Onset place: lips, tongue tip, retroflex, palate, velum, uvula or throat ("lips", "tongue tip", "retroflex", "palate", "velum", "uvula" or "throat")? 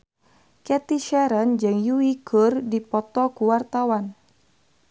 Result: velum